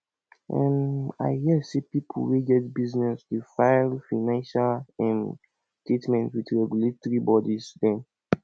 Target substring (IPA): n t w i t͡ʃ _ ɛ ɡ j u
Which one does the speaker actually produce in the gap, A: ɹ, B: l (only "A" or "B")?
A